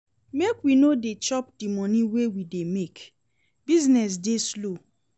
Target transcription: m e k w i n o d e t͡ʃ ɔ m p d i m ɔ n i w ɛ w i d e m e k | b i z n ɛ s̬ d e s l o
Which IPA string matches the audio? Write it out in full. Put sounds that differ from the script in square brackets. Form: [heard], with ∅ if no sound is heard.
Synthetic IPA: m e k w i n o d e t͡ʃ ɔ [∅] p d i m ɔ n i w [e] w i d e m e k | b i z n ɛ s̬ d e s l o